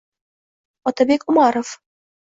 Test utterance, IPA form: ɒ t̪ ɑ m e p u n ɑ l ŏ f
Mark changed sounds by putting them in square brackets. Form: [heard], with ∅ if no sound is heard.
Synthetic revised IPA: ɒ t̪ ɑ [b] e [k] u [m] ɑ [ɾ] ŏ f

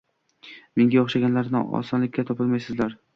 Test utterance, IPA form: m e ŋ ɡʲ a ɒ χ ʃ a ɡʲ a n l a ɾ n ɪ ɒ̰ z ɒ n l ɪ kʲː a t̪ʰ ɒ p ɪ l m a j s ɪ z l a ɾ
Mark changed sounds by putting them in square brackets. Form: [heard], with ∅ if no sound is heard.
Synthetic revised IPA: m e ŋ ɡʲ a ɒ χ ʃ a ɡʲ a n l a ɾ n ɪ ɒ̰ [s] ɒ n l ɪ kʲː a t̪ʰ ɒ p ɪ l m a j s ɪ z l a ɾ

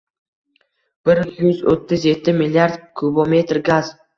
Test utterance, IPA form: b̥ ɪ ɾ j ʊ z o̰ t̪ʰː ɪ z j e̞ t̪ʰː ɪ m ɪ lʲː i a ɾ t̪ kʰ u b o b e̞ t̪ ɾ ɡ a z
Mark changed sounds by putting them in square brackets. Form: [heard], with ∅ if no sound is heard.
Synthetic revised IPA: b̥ ɪ ɾ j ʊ z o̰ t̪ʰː ɪ z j e̞ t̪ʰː ɪ m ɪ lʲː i a ɾ [d̪] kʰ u b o [m] e̞ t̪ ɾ ɡ a z

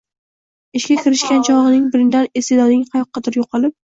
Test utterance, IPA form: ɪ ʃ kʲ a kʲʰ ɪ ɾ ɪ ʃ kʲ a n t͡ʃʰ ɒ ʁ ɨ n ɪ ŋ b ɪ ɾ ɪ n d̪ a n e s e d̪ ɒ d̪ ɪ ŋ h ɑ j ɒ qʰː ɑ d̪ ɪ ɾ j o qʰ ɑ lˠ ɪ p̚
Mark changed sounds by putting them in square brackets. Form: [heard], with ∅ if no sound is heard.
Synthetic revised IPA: ɪ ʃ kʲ a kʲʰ ɪ ɾ ɪ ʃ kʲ a n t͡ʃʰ ɒ ʁ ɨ n ɪ ŋ b ɪ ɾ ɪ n d̪ a n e s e d̪ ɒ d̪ ɪ ŋ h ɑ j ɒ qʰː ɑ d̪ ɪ ɾ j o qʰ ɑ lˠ ɪ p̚

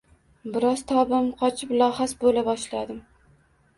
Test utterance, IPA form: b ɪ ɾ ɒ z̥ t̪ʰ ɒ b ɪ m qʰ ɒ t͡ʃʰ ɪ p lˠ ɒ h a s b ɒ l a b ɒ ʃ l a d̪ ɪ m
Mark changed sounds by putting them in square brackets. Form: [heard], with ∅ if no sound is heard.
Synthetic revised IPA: b ɪ ɾ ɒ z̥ t̪ʰ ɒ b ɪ m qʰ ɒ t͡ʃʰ ɪ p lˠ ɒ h a s b [o] l a b ɒ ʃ l a d̪ ɪ m

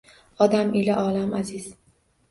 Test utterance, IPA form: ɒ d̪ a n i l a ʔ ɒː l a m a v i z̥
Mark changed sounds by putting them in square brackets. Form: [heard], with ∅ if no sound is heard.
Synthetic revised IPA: ɒ d̪ a [m] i l a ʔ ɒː l a m a [z] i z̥

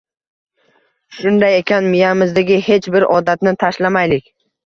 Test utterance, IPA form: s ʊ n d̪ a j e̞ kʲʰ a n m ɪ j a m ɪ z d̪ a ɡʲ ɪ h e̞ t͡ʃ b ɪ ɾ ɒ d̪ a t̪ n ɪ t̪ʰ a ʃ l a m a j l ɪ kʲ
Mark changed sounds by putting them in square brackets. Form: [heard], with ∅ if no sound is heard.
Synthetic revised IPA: [ʃ] ʊ n d̪ a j e̞ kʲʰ a n m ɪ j a m ɪ z d̪ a ɡʲ ɪ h e̞ t͡ʃ b ɪ ɾ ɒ d̪ a t̪ n ɪ t̪ʰ a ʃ l a m a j l ɪ kʲ

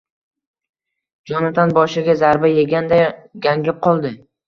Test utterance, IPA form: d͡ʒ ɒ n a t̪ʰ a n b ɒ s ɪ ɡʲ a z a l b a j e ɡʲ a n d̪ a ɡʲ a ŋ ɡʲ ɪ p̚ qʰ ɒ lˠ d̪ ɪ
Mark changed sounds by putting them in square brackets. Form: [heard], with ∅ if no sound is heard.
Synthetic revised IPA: d͡ʒ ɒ n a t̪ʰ a n b ɒ [ʃ] ɪ ɡʲ a z a [ɾ] b a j e ɡʲ a n d̪ a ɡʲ a ŋ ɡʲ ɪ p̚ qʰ ɒ lˠ d̪ ɪ

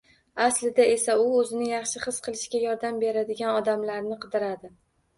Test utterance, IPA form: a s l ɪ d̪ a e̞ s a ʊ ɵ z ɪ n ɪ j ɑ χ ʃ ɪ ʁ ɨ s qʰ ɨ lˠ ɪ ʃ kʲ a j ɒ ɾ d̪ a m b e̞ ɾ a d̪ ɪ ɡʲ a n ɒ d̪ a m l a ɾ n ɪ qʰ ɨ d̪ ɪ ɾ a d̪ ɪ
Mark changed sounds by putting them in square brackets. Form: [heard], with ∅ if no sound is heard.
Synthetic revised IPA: a s l ɪ d̪ a e̞ s a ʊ ɵ z ɪ n ɪ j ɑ χ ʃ ɪ [χ] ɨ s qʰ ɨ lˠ ɪ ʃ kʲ a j ɒ ɾ d̪ a m b e̞ ɾ a d̪ ɪ ɡʲ a n ɒ d̪ a m l a ɾ n ɪ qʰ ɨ d̪ ɪ ɾ a d̪ ɪ

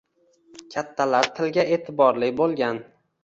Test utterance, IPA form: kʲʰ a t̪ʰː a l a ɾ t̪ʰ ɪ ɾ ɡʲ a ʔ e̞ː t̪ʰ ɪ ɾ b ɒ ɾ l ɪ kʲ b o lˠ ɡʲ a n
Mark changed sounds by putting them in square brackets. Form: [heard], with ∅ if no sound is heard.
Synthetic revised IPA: kʲʰ a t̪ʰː a l a ɾ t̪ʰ ɪ [l] ɡʲ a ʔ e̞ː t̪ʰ ɪ [∅] b ɒ ɾ l ɪ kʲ b o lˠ ɡʲ a n

